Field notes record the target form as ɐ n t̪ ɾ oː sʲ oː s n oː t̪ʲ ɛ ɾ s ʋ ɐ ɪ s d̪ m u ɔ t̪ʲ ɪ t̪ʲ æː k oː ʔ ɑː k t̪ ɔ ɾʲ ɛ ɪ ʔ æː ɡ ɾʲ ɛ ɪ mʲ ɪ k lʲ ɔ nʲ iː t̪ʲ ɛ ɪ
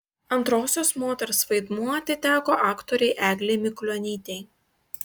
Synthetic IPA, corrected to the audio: ɐ n t̪ ɾ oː sʲ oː s m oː t̪ʲ ɛ ɾ s ʋ ɐ ɪ d̪ m u ɔ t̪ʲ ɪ t̪ʲ æː k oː ʔ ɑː k t̪ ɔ ɾʲ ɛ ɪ ʔ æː ɡ lʲ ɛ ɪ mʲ ɪ k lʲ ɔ nʲ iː t̪ʲ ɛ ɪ